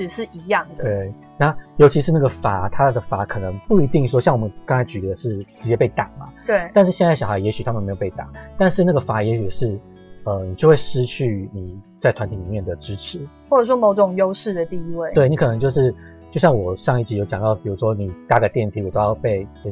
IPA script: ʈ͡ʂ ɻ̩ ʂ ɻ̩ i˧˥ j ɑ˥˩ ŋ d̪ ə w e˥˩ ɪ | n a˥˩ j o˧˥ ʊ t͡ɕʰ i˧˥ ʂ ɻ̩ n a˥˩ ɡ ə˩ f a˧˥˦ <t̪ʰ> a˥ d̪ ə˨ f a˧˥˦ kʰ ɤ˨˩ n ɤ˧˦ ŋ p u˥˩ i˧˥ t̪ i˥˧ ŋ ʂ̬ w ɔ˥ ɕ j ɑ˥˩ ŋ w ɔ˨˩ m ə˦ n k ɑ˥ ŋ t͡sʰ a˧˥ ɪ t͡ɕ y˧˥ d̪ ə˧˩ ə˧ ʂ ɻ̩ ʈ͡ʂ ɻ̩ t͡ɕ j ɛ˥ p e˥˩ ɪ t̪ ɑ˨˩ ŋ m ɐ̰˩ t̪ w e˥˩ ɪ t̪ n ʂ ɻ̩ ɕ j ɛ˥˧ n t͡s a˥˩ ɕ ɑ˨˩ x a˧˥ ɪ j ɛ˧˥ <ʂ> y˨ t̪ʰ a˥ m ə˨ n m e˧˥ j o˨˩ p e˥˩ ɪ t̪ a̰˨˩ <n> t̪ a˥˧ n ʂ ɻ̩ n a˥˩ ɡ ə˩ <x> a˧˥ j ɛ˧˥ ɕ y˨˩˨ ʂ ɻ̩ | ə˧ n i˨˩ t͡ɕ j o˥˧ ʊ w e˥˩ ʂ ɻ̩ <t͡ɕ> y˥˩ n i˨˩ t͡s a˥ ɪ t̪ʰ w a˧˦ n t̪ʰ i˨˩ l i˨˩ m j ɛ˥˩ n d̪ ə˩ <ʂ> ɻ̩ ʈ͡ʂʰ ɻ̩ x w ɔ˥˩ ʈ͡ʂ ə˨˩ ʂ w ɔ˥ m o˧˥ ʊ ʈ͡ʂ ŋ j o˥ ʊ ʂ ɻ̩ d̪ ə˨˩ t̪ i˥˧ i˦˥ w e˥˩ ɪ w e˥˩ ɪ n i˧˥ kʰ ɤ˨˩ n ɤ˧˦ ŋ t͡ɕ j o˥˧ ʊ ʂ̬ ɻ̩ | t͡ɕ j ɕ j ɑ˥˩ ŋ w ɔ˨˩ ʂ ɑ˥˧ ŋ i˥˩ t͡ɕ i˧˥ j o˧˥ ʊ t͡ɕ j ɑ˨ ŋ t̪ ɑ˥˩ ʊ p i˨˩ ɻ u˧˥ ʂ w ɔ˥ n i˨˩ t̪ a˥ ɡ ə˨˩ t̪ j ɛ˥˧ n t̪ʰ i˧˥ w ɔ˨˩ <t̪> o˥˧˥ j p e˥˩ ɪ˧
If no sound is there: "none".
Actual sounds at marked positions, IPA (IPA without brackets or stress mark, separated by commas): t̪ʰ, ɕ, ŋ, f, t͡ɕʰ, ʈ͡ʂ, t̪